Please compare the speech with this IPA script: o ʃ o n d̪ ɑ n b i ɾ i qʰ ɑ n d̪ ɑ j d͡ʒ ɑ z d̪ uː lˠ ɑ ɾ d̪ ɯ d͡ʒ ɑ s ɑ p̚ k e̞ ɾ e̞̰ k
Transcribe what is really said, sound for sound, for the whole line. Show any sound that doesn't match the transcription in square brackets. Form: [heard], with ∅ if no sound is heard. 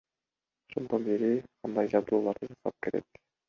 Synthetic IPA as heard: o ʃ o n d̪ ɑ n b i ɾ i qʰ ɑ n d̪ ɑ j d͡ʒ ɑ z d̪ uː lˠ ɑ ɾ d̪ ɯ d͡ʒ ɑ s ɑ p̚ k e̞ ɾ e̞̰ k